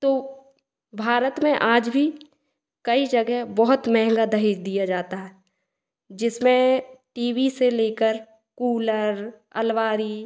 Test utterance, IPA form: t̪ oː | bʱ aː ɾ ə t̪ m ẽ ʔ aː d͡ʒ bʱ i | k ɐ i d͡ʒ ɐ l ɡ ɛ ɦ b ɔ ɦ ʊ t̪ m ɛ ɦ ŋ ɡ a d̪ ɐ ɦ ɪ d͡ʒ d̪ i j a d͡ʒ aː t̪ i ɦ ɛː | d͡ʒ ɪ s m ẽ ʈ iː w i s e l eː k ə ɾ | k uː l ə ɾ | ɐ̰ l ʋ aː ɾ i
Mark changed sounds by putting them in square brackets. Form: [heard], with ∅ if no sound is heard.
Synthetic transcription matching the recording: t̪ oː | bʱ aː ɾ ə t̪ m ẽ ʔ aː d͡ʒ bʱ i | k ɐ i d͡ʒ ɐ [∅] ɡ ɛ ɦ b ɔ ɦ ʊ t̪ m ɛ ɦ ŋ ɡ a d̪ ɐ ɦ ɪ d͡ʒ d̪ i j a d͡ʒ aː t̪ [a] ɦ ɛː | d͡ʒ ɪ s m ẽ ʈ iː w i s e l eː k ə ɾ | k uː l ə ɾ | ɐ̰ l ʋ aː ɾ i